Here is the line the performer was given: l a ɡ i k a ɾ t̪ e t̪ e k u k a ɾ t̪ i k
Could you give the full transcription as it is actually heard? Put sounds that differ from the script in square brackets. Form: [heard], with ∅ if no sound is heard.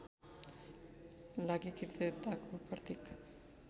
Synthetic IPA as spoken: l a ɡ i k [i] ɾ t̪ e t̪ [a] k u [p] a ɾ t̪ i k